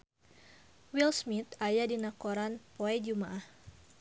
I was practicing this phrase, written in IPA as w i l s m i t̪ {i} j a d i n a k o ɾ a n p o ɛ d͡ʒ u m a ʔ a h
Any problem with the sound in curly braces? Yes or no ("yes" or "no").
yes